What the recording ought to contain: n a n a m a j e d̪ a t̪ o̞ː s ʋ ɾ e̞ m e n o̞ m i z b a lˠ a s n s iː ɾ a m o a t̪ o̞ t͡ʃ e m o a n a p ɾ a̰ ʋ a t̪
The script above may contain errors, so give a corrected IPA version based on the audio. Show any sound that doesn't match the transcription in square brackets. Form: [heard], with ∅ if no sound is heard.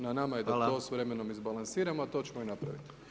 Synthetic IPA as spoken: n a n a m a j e d̪ a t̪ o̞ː s ʋ ɾ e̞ m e n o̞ m i z b a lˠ a [∅] n s iː ɾ a m o a t̪ o̞ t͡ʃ e m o [i] n a p ɾ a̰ ʋ [i] t̪